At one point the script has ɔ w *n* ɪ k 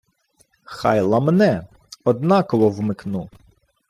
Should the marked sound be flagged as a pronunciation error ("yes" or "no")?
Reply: yes